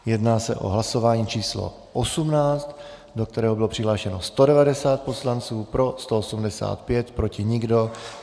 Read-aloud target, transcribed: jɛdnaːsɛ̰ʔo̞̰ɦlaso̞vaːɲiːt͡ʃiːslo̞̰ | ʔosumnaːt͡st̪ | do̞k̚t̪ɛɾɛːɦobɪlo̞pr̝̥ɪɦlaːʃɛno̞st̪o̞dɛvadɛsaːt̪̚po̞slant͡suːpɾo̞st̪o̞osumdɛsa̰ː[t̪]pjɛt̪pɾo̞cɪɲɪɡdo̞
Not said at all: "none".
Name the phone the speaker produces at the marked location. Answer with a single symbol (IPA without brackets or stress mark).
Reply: t̪